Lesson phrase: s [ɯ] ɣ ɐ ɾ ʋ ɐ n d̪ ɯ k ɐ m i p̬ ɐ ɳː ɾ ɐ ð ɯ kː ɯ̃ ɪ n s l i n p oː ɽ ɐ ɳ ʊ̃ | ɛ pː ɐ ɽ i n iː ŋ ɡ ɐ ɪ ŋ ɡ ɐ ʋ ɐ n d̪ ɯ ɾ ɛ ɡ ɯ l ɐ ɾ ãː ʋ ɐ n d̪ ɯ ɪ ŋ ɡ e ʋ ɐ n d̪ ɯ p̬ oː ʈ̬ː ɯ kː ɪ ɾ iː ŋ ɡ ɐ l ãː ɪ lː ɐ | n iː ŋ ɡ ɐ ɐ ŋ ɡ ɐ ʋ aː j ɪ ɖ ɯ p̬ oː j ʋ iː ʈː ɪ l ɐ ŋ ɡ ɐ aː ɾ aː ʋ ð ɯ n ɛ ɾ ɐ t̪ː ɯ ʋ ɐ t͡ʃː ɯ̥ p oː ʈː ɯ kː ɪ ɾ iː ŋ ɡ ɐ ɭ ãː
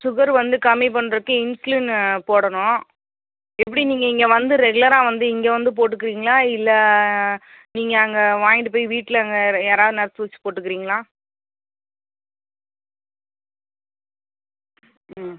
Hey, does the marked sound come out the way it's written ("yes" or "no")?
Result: no